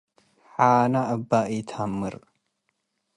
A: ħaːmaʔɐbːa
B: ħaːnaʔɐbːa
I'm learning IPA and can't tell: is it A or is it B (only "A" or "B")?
B